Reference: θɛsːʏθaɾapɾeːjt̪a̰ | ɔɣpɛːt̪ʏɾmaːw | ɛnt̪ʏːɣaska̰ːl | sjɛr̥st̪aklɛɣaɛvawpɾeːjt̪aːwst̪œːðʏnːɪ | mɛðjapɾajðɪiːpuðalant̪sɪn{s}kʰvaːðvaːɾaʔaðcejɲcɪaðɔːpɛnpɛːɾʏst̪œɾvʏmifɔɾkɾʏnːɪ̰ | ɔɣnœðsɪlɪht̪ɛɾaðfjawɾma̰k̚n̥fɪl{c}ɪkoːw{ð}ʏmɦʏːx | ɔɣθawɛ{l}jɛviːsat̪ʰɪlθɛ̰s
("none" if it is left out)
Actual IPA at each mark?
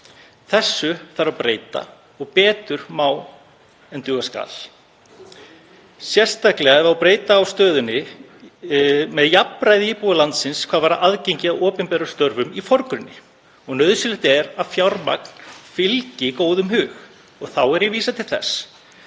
s, c, ð, ɾ

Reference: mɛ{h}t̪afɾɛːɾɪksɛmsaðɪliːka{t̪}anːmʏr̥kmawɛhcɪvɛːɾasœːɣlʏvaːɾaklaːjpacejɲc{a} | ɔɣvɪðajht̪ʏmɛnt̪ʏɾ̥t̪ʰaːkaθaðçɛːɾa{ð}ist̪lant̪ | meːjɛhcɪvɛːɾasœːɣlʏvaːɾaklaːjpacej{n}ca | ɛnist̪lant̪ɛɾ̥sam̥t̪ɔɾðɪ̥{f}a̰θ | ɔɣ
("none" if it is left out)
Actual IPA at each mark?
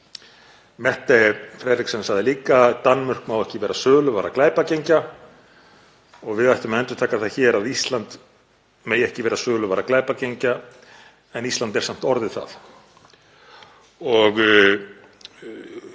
h, t̪, a, ð, ɲ, θ

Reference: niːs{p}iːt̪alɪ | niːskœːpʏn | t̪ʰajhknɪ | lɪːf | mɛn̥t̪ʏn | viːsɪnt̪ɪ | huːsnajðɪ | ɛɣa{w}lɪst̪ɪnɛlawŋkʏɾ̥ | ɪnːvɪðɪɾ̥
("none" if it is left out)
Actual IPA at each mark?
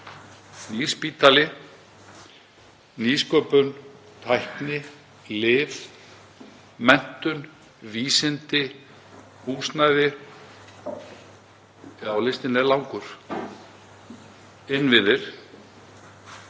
p, w

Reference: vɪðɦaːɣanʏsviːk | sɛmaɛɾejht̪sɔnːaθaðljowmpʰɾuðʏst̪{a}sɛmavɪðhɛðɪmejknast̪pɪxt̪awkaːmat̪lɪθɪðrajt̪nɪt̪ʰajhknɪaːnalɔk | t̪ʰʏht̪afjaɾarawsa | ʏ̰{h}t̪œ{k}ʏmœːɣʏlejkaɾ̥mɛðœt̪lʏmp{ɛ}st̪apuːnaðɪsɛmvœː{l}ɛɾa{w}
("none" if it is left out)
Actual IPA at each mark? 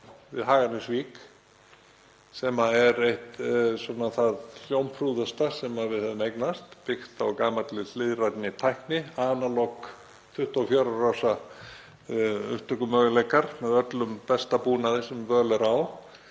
a, h, k, ɛ, l, w

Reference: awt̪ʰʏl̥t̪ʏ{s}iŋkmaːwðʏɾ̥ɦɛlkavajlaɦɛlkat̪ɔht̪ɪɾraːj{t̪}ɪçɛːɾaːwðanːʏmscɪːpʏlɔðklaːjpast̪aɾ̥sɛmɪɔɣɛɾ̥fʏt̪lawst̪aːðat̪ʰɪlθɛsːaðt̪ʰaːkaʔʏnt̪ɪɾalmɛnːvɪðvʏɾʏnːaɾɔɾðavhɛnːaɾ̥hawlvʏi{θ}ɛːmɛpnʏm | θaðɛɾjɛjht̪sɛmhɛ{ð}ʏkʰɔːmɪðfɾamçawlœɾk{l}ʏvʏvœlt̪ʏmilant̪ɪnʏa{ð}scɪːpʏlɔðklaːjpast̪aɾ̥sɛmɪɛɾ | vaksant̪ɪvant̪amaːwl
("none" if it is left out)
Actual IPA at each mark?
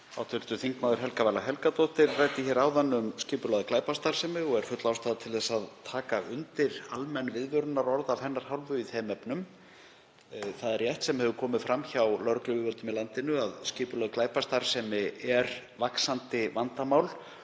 θ, t̪, θ, v, l, ð

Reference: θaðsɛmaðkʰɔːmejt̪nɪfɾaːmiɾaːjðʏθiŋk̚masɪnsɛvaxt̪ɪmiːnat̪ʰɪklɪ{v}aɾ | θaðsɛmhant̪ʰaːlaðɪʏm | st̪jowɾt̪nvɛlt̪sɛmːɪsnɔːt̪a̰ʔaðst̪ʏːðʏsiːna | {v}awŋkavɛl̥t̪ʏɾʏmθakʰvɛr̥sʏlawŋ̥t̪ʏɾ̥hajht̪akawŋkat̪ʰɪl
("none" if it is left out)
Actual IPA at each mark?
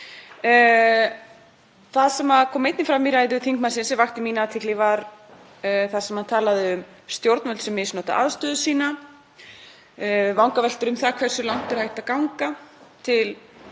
v, v

